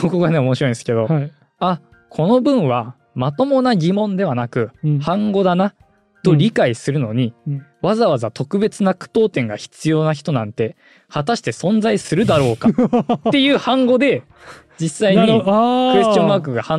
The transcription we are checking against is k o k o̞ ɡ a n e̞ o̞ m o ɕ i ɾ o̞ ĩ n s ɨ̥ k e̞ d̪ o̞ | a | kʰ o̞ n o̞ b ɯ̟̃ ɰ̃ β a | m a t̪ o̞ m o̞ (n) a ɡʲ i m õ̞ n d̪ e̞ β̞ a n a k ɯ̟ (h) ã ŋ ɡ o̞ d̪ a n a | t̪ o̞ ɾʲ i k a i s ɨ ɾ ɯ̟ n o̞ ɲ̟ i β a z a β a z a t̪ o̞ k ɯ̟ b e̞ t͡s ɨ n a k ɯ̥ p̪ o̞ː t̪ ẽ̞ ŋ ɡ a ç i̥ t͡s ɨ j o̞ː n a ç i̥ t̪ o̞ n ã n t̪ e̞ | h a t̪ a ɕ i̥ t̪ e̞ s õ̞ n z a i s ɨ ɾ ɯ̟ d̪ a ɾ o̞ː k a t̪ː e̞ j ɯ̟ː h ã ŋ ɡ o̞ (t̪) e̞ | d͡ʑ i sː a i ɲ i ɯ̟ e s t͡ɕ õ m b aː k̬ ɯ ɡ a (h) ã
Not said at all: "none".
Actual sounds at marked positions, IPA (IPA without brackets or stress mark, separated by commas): n, h, d̪, h